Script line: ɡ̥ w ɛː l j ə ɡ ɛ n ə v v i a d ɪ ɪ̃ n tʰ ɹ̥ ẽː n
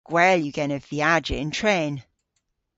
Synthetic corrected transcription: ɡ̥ w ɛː l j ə ɡ ɛ n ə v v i a d͡ʒ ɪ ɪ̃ n tʰ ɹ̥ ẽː n